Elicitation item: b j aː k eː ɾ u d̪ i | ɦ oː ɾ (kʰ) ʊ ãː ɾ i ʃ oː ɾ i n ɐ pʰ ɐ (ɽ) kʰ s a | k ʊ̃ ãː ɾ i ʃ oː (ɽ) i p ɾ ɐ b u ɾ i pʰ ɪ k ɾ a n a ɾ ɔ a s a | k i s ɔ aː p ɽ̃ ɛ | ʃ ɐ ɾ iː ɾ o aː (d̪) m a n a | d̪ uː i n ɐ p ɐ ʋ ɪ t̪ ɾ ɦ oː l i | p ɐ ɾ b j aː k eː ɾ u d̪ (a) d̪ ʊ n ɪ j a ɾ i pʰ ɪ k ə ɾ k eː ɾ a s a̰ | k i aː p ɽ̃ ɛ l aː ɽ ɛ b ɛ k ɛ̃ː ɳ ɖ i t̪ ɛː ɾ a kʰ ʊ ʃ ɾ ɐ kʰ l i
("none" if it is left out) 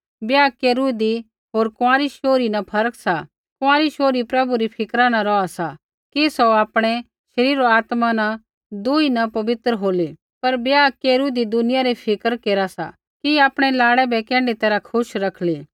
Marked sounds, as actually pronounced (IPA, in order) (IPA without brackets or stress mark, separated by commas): k, ɾ, ɾ, t̪, i